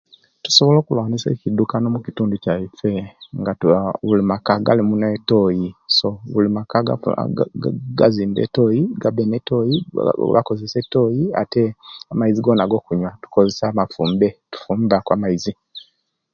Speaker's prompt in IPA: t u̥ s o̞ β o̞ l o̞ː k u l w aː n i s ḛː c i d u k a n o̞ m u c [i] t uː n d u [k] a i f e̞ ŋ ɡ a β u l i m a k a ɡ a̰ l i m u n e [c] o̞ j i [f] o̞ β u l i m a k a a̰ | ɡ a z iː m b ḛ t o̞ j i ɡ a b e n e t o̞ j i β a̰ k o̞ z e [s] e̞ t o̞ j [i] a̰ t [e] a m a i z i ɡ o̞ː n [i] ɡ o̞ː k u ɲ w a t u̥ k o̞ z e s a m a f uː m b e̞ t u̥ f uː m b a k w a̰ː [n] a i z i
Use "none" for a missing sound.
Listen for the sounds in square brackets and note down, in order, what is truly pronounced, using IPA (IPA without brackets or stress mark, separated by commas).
i, c, t, s, s, i, e, a, m